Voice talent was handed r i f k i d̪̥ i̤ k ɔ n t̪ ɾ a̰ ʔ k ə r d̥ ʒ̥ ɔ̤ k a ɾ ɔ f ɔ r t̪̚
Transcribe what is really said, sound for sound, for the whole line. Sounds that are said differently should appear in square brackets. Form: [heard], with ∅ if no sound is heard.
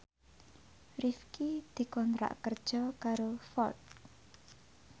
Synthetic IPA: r i f k i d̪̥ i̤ k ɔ n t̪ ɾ a̰ ʔ k ə r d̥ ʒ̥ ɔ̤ k a ɾ [o] f ɔ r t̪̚